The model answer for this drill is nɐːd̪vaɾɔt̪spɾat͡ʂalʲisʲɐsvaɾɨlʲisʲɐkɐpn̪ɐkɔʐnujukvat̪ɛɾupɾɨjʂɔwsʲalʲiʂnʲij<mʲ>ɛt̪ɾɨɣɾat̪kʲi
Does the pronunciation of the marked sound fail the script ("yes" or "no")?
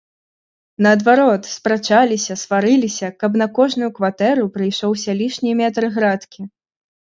no